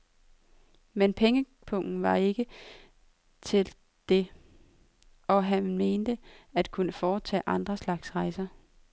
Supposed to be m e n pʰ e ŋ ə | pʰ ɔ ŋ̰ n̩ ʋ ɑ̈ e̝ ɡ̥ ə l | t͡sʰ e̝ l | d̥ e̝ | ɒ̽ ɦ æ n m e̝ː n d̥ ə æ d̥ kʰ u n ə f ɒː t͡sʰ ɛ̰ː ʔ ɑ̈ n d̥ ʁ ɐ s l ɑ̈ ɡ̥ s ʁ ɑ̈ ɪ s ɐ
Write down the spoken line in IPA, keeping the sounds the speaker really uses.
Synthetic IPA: m e n pʰ e ŋ ə | pʰ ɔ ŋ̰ n̩ ʋ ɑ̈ e̝ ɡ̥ ə | t͡sʰ e̝ l | d̥ e̝ | ɒ̽ ɦ æ n m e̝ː n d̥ ə æ d̥ kʰ u n ə f ɒː t͡sʰ ɛ̰ː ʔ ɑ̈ n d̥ ʁ ɐ s l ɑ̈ ɡ̥ s ʁ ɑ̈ ɪ s ɐ